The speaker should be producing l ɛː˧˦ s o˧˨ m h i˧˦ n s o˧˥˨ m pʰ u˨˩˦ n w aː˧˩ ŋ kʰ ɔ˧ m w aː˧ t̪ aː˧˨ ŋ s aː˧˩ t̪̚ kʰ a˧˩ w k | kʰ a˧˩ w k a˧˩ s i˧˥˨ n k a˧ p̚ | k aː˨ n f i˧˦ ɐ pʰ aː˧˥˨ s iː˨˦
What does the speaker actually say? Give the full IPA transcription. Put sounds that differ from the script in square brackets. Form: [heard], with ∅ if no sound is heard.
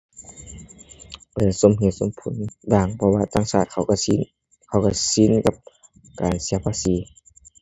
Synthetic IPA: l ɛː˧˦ s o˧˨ m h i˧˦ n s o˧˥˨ m pʰ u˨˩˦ n [b] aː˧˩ ŋ [pʰ] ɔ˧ [∅] w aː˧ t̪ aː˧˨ ŋ s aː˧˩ t̪̚ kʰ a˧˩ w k | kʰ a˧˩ w k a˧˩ s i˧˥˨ n k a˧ p̚ | k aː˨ n [s] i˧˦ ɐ pʰ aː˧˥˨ s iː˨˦

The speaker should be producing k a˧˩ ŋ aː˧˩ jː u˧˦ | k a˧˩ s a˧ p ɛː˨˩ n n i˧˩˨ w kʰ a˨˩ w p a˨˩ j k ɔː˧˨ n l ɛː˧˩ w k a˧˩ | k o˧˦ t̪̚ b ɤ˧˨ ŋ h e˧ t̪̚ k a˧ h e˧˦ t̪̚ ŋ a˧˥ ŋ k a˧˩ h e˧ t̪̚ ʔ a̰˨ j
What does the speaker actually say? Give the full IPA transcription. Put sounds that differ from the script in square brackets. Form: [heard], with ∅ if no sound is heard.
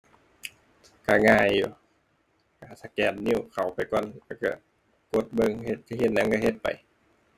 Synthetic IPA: k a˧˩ ŋ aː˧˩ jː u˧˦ | k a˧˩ s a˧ [k] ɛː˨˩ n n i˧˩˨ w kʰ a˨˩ w p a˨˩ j k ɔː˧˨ n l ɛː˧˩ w k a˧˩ | k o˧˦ t̪̚ b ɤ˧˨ ŋ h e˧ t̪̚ k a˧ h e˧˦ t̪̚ [n] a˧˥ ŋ k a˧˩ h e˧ t̪̚ [p] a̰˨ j

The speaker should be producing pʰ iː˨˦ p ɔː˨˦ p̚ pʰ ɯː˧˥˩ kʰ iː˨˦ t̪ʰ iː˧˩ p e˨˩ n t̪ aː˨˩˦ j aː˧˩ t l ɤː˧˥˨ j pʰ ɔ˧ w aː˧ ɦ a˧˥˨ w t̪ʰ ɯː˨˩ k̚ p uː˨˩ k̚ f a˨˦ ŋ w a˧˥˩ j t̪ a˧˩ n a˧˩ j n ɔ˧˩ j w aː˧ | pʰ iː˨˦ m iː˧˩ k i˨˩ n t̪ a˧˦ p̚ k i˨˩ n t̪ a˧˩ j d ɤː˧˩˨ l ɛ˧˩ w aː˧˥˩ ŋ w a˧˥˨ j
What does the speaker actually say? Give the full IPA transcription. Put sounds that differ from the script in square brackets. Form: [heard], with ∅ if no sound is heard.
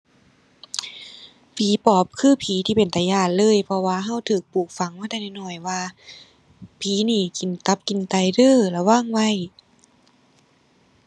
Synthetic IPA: pʰ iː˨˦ p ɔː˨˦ p̚ [kʰ] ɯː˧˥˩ [pʰ] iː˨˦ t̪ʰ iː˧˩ p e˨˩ n t̪ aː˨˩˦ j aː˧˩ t l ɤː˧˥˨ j pʰ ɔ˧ w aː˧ ɦ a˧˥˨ w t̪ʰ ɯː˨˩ k̚ p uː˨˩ k̚ f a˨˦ ŋ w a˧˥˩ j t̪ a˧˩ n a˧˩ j n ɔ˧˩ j w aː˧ | pʰ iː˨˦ [n] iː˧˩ k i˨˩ n t̪ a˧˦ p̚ k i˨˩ n t̪ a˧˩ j d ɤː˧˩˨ l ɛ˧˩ w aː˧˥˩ ŋ w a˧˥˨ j

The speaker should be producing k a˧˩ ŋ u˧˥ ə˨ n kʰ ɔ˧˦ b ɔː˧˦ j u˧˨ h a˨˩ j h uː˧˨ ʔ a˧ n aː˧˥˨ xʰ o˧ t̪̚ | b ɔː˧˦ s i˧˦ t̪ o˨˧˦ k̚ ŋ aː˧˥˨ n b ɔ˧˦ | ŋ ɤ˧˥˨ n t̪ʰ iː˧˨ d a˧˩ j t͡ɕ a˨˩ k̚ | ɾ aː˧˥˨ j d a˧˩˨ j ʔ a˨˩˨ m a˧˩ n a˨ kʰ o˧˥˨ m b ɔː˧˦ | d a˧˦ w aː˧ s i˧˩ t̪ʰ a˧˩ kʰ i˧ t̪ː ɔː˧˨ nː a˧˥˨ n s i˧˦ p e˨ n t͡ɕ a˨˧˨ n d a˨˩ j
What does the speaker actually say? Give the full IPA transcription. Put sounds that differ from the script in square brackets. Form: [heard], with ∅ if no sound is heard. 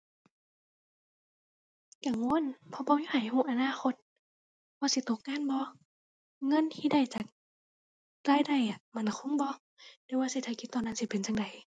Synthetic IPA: k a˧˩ ŋ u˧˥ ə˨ n [pʰ] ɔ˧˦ b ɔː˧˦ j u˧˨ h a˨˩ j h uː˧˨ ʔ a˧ n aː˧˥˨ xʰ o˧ t̪̚ | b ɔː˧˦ s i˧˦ t̪ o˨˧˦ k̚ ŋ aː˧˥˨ n b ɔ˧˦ | ŋ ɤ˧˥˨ n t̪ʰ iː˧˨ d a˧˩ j t͡ɕ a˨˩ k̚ | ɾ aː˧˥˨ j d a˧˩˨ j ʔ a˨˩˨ m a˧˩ n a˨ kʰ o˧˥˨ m b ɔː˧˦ | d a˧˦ w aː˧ s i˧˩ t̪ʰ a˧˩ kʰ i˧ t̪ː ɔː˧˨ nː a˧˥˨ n s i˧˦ p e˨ n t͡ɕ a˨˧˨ [ŋ] d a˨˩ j

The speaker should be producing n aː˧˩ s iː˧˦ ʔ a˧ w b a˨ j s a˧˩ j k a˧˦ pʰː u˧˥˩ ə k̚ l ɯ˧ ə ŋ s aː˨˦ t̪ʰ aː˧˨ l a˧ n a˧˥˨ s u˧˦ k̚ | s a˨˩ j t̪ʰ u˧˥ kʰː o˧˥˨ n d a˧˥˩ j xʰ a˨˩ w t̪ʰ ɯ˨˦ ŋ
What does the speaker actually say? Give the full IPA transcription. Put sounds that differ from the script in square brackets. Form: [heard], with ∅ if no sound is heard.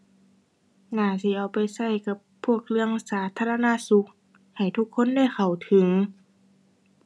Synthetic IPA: n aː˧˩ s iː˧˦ ʔ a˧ w [p] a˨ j s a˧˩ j k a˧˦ pʰː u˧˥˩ ə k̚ l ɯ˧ ə ŋ s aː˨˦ t̪ʰ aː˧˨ l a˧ n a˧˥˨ s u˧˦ k̚ | [h] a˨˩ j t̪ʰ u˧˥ kʰː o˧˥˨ n d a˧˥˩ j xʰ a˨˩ w t̪ʰ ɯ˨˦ ŋ

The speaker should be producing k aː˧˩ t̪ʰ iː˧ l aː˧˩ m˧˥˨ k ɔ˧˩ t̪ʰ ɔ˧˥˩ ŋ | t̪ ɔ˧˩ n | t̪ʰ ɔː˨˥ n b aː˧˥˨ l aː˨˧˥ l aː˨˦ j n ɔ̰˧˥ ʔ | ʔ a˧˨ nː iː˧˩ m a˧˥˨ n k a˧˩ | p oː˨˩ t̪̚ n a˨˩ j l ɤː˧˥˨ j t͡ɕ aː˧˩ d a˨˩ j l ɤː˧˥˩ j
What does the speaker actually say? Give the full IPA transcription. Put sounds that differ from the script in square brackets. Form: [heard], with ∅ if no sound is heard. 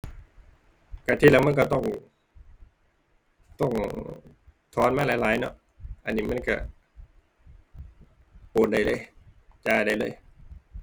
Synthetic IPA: k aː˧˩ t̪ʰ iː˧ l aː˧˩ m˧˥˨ k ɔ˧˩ [t̪] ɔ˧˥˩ ŋ | t̪ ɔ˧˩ [ŋ] | t̪ʰ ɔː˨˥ n [m] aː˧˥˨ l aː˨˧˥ l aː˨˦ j n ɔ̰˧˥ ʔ | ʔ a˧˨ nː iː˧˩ m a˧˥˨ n k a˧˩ | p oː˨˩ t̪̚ [d] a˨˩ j l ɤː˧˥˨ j t͡ɕ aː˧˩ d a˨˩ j l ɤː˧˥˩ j

